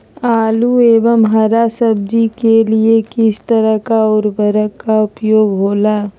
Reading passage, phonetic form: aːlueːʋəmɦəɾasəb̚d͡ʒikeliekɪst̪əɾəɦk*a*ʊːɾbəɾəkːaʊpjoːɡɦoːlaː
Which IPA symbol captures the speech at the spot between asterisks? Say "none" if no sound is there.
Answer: a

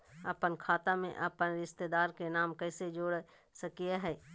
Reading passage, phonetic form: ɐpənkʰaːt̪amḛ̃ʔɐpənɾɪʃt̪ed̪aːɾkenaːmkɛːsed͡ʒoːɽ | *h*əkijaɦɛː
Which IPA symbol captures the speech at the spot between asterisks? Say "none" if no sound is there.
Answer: s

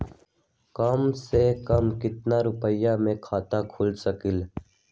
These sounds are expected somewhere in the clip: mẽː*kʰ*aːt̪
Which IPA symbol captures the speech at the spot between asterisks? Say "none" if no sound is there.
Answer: kʰ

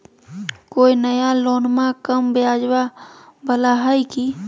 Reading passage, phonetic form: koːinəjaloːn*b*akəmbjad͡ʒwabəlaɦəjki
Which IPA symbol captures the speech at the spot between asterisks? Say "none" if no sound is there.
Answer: m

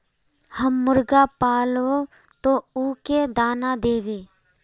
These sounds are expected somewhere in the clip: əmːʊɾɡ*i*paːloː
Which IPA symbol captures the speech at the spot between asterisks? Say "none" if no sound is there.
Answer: a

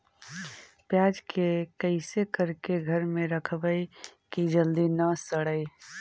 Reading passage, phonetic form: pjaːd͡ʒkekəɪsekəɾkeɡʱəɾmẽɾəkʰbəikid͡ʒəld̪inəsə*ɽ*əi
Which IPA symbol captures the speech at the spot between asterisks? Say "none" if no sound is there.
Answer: ɽ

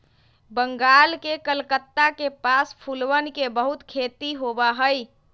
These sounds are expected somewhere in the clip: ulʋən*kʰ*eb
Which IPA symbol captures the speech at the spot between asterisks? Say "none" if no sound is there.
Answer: k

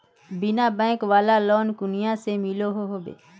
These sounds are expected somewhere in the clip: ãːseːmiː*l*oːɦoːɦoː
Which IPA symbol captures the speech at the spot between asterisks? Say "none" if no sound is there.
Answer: l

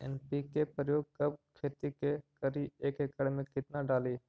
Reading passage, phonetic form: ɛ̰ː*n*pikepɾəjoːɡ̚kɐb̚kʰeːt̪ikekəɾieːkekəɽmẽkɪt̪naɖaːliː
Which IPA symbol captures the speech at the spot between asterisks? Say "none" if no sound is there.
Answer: n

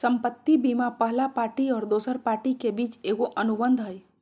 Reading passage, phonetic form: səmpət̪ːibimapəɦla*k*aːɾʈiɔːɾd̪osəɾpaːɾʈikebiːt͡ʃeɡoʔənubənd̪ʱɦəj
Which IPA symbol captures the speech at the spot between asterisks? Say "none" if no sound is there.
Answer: p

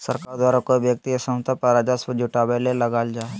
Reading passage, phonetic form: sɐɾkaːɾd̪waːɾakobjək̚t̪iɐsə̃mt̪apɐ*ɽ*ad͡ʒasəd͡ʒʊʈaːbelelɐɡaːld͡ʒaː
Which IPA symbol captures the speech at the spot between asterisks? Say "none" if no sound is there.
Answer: ɾ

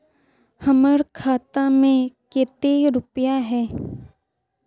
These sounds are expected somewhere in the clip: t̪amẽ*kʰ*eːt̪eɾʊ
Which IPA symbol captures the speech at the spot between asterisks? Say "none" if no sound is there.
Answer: k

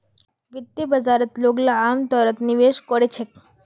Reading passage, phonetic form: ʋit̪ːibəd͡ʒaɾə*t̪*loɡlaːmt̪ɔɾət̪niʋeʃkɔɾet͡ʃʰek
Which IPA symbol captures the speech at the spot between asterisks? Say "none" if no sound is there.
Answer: t̪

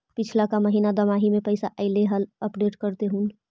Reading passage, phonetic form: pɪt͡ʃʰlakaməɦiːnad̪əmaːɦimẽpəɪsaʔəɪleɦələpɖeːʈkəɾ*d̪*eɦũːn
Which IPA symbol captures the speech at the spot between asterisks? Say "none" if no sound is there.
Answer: t̪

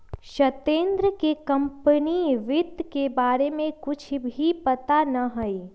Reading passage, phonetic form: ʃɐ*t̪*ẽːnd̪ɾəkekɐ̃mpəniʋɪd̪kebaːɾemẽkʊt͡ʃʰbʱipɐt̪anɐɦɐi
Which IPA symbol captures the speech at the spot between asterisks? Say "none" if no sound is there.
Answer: t̪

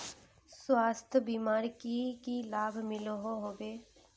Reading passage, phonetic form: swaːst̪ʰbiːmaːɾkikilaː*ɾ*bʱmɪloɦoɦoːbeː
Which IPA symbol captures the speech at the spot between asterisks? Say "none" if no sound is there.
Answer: none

